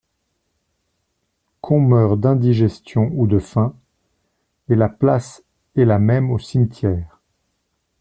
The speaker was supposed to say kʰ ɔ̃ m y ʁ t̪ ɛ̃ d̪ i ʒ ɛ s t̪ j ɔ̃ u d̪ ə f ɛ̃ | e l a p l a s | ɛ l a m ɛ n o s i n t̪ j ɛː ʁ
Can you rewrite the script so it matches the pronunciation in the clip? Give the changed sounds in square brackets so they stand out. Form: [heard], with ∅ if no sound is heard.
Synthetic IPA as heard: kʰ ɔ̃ m [œ] ʁ [d̪] ɛ̃ d̪ i ʒ ɛ s t̪ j ɔ̃ u d̪ ə f ɛ̃ | e l a p l a s | ɛ l a m ɛ [m] o s i [m] t̪ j ɛː ʁ